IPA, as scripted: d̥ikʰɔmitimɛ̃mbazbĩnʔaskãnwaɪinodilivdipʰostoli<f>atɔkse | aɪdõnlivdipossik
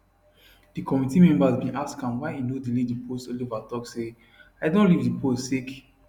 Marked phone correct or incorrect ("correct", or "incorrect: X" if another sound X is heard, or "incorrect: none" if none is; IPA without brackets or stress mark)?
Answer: incorrect: v